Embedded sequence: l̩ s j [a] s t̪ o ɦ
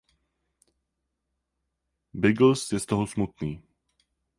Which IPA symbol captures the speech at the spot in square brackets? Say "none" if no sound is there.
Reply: ɛ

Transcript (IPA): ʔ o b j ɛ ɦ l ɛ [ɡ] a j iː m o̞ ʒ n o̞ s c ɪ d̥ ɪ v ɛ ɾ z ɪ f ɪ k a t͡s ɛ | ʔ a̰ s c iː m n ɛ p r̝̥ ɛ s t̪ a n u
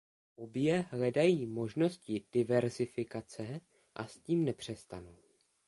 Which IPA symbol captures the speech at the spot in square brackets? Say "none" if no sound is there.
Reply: d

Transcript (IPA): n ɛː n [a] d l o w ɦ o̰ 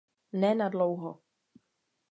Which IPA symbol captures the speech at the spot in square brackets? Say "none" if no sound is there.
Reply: a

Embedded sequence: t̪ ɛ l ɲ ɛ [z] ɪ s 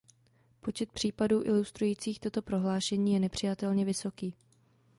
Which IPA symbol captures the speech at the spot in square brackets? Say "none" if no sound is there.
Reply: v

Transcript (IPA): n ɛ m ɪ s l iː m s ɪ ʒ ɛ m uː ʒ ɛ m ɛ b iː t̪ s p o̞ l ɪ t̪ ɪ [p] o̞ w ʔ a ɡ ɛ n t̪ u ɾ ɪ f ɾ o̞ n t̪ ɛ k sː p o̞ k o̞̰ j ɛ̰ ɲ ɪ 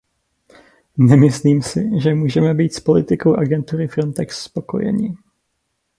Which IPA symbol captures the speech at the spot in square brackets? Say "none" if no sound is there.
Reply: k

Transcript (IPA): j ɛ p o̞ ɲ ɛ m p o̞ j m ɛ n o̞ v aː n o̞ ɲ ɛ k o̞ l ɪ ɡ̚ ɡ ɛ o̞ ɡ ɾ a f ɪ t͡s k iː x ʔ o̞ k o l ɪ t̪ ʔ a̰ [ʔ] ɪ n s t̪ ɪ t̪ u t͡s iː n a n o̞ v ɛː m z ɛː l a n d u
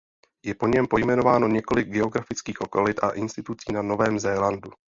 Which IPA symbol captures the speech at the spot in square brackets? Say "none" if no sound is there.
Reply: ʔ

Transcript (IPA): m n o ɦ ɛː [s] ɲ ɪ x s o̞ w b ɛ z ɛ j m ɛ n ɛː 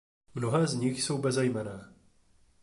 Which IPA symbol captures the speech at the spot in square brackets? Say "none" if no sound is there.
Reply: z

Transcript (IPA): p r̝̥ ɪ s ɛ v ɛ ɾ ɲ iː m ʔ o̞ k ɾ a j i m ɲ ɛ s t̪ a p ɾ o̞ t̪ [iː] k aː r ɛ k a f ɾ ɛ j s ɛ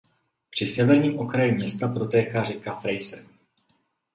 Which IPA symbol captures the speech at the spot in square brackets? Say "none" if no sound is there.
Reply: ɛː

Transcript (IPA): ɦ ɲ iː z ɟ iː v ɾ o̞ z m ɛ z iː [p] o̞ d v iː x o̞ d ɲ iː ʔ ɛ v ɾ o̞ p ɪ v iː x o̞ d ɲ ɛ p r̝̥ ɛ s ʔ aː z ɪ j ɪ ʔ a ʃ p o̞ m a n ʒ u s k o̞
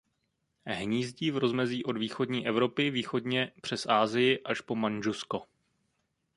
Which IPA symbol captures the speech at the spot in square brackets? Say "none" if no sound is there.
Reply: ʔ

